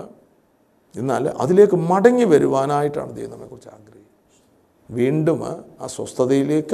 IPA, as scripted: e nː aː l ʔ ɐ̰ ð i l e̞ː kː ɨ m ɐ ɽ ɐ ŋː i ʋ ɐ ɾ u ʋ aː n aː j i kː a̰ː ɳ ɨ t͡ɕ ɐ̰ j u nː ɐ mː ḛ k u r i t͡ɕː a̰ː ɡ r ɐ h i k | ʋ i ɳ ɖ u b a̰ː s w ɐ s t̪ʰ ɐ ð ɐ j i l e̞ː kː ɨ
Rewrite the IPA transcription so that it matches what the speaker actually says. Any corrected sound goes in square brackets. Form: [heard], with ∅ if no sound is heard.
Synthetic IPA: e nː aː l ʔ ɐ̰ ð i l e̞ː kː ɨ m ɐ ɽ ɐ ŋː i ʋ ɐ ɾ u ʋ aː n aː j i [ʈː] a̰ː ɳ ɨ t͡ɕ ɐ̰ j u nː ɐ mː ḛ k u r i t͡ɕː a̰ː ɡ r ɐ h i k | ʋ [iː] ɳ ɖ u [m] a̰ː s w ɐ s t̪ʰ ɐ ð ɐ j i l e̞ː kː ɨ